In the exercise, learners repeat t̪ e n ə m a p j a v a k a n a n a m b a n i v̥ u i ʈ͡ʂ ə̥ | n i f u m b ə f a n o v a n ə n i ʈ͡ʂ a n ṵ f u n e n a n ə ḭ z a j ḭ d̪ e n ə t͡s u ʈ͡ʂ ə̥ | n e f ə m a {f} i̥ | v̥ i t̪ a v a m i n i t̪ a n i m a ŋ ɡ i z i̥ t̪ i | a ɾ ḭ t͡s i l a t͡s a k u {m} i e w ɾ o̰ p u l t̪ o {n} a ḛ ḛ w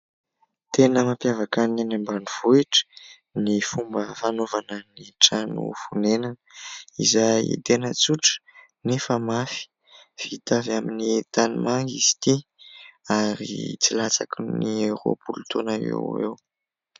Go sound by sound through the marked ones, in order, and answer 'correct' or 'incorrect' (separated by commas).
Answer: correct, incorrect, correct